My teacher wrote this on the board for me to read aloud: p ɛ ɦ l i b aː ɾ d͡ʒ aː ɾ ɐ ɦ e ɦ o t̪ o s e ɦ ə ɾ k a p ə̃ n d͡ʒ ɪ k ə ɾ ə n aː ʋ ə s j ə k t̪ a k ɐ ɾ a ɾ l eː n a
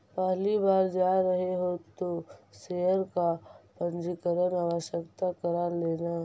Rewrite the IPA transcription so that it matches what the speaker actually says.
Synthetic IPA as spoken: p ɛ ɦ l i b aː ɾ d͡ʒ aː ɾ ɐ ɦ e ɦ o t̪ o s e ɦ ə ɾ k a p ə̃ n d͡ʒ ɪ k ə ɾ ə n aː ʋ ə ʃ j ə k t̪ a k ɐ ɾ a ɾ l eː n a